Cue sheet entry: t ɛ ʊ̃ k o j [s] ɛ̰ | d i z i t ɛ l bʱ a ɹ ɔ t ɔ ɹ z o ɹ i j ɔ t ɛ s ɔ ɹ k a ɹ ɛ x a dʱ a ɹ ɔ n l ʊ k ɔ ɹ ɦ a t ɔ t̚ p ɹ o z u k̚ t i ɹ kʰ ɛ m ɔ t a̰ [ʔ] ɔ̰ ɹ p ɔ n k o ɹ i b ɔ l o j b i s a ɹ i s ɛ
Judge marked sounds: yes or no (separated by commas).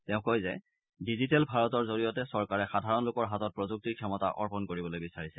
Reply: no, yes